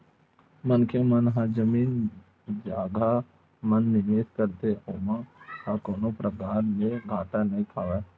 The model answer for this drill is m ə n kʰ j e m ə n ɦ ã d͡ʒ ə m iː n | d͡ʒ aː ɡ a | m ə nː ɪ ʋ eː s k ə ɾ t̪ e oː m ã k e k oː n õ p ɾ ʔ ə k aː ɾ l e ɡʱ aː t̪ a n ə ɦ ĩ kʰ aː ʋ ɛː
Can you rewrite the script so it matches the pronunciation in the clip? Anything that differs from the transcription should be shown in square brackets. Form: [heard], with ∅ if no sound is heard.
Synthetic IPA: m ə n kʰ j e m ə n ɦ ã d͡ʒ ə m iː n | d͡ʒ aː ɡ a | m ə nː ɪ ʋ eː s k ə ɾ t̪ e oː m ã k [a] k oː n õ p ɾ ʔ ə k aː ɾ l e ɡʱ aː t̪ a n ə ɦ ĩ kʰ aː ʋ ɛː

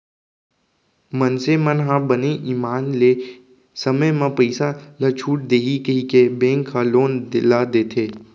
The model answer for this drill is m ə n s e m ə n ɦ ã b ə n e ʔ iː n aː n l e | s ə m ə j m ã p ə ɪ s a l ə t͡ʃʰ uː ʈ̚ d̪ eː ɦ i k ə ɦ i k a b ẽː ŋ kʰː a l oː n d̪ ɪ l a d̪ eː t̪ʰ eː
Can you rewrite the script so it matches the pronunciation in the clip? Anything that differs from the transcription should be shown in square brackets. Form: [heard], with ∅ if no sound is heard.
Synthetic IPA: m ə n s e m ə n ɦ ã b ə n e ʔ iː [m] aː n l e | s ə m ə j m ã p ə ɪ s a l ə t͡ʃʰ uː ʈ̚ d̪ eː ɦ i k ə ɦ i k [e] b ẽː ŋ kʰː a l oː n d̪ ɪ l a d̪ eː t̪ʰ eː

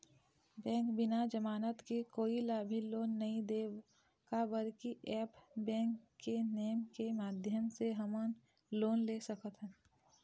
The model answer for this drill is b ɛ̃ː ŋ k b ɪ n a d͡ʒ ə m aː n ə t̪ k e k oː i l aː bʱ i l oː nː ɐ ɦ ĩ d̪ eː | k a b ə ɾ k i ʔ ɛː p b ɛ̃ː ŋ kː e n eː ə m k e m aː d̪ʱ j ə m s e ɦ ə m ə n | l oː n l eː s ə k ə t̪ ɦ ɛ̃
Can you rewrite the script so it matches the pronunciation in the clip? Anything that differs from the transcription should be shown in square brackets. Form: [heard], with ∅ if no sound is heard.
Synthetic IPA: b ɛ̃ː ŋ k b ɪ n a d͡ʒ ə m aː n ə t̪ k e k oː i l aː bʱ i l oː nː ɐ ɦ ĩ d̪ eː | k a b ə ɾ k i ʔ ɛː p b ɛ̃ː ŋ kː e n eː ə m k e m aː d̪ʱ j ə m s e ɦ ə m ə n | l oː n l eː s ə k ə t̪ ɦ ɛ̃

